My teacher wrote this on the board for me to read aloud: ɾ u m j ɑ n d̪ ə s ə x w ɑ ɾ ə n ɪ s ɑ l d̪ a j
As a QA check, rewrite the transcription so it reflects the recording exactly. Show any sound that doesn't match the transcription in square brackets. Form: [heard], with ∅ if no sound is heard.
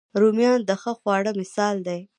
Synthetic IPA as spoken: ɾ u m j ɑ n d̪ ə [x] ə x w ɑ [ɽ] ə [m] ɪ s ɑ l d̪ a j